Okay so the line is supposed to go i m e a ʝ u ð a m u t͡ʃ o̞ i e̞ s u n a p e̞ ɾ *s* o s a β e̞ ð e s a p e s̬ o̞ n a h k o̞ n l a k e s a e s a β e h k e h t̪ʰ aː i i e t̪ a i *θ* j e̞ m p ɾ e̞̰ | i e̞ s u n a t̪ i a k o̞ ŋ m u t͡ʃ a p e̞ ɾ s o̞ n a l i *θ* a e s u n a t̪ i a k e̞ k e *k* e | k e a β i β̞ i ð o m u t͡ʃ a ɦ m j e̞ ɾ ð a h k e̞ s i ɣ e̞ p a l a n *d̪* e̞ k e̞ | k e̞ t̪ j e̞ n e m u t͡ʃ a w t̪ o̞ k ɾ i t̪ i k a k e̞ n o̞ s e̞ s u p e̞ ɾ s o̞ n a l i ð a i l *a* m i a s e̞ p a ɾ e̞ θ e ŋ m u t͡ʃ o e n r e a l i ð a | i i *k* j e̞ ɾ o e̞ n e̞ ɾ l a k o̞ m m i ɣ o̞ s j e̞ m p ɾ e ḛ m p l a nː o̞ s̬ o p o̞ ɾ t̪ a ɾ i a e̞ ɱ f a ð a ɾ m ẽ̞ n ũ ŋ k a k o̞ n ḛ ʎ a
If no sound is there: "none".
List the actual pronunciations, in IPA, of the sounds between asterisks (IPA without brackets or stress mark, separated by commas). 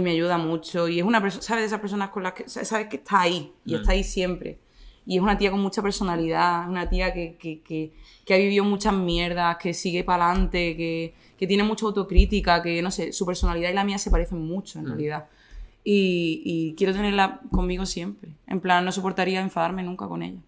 s, s, ð, k, t̪, a, k